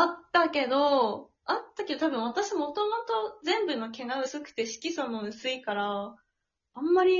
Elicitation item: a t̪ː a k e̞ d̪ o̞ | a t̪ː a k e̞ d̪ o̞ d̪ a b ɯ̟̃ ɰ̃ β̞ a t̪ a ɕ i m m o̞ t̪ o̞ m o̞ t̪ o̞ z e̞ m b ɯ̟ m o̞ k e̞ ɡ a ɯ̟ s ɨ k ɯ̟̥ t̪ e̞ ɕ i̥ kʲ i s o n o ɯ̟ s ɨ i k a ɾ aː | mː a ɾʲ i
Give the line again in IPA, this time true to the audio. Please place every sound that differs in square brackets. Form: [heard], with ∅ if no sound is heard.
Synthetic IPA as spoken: a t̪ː a k e̞ d̪ o̞ | a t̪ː a k e̞ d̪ o̞ [t̪] a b ɯ̟̃ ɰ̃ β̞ a t̪ a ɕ i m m o̞ t̪ o̞ m o̞ t̪ o̞ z [ẽ̞] m b ɯ̟ [n] o̞ k e̞ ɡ a ɯ̟ s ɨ k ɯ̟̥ t̪ e̞ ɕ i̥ kʲ i s o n o ɯ̟ s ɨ i k a ɾ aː | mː a ɾʲ i